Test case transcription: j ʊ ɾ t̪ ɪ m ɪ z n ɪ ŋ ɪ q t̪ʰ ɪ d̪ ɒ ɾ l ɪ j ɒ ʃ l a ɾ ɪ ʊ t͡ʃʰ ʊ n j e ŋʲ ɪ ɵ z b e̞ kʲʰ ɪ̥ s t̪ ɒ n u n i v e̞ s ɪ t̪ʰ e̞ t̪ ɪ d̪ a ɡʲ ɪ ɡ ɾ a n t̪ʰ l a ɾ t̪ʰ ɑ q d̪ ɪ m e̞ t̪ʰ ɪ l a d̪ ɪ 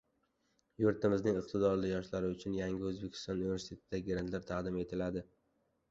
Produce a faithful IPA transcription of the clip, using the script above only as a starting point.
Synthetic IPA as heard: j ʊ ɾ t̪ ɪ m ɪ z n ɪ ŋ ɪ q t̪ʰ ɪ d̪ ɒ ɾ l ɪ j ɒ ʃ l a ɾ ɪ ʊ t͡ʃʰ ʊ n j a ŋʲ ɪ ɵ z b e̞ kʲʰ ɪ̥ s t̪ ɒ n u n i v e̞ s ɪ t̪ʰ e̞ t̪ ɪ d̪ a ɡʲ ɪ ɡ ɾ a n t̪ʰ l a ɾ t̪ʰ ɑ q d̪ ɪ m e̞ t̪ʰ ɪ l a d̪ ɪ